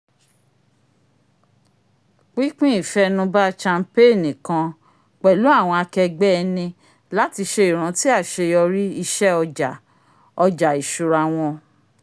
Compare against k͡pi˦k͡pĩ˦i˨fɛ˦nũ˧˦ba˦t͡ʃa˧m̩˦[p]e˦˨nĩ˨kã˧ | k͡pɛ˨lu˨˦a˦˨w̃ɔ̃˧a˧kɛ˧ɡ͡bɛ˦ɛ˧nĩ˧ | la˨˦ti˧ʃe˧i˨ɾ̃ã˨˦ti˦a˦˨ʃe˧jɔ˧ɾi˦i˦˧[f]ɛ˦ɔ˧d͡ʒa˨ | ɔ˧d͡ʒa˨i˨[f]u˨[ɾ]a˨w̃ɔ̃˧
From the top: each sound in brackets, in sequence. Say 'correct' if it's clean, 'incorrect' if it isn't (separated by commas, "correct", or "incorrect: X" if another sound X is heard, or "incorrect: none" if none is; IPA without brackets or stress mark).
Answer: correct, incorrect: ʃ, incorrect: ʃ, correct